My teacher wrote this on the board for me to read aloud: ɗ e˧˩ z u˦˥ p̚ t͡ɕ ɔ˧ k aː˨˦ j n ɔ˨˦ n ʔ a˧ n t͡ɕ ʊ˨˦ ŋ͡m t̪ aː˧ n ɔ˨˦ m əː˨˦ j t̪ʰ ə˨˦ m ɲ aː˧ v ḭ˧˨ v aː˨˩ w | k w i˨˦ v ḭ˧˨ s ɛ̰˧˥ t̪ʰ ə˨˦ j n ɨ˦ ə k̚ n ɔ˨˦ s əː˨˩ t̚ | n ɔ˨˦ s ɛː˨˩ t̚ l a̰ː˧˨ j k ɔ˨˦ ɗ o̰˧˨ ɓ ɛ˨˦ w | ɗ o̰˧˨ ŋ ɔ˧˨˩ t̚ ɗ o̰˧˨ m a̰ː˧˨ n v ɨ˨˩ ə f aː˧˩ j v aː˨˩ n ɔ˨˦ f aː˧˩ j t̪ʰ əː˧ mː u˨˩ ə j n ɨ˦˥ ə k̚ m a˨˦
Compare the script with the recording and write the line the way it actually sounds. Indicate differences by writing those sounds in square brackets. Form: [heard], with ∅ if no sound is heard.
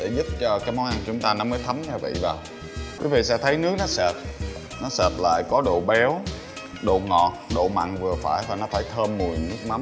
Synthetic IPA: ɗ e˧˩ z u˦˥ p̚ t͡ɕ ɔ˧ k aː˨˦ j [m] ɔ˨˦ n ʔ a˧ n t͡ɕ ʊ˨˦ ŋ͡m t̪ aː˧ n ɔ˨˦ m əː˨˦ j t̪ʰ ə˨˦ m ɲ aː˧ v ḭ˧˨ v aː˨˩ w | k w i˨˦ v ḭ˧˨ s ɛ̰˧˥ t̪ʰ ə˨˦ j n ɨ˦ ə k̚ n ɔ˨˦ s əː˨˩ t̚ | n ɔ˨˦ s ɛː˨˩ t̚ l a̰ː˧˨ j k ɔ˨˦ ɗ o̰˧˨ ɓ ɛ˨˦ w | ɗ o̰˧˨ ŋ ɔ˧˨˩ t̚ ɗ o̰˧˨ m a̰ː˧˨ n v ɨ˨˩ ə f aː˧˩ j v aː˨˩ n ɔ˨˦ f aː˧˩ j t̪ʰ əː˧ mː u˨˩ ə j n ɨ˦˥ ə k̚ m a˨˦